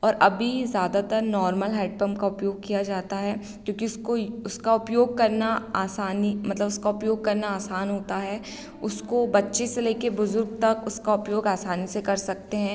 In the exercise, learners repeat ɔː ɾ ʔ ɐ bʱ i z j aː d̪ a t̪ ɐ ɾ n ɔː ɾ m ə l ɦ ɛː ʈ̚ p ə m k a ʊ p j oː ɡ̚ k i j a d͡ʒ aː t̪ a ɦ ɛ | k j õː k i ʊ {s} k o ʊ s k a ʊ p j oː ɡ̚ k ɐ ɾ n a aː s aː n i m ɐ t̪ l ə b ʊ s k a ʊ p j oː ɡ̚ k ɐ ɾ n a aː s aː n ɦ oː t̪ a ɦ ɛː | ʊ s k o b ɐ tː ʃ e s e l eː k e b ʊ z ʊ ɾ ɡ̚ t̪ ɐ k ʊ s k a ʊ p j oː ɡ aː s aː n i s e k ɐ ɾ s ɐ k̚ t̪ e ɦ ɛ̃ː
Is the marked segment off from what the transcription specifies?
no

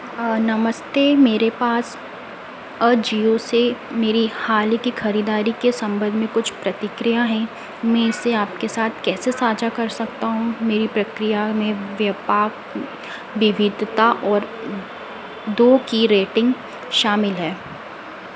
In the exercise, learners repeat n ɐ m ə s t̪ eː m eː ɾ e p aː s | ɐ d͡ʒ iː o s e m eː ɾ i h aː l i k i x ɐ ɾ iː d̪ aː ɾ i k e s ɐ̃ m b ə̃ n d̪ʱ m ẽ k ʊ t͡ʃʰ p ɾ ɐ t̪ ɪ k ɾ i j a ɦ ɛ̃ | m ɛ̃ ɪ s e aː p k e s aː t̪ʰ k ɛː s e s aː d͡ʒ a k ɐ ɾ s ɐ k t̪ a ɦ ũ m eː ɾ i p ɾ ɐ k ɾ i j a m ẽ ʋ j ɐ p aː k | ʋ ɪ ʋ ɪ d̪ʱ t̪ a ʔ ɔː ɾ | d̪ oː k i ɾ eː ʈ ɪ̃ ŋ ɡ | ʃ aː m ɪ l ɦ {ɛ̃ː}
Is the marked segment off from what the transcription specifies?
yes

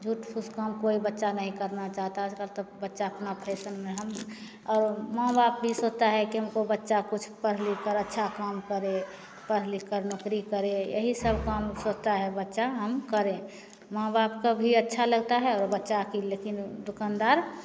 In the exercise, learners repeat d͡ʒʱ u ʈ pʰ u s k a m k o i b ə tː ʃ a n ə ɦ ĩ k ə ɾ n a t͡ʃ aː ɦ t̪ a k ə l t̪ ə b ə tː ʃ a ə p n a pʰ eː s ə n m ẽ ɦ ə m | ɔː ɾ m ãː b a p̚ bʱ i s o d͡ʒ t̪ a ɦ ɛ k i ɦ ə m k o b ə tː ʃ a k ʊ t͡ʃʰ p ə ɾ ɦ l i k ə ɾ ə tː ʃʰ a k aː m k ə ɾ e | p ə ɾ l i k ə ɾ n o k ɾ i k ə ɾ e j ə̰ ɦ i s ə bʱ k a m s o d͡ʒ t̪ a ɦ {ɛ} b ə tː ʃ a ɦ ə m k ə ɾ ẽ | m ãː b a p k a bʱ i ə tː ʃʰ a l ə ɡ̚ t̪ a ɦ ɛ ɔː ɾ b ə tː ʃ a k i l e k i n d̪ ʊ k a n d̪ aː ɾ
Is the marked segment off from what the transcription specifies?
no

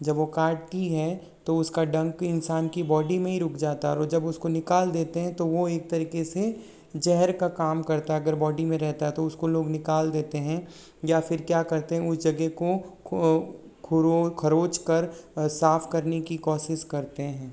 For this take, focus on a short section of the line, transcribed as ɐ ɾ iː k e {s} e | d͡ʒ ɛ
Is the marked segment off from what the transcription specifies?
no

